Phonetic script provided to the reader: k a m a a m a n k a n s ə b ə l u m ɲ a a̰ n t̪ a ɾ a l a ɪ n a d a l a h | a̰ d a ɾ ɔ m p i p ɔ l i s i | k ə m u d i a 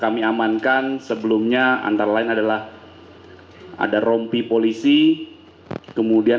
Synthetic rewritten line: k a m i a m a n k a n s ə b ə l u m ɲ a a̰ n t̪ a ɾ a l a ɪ n a d a l a h | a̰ d a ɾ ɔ m p i p o l i s i | k ə m u d i a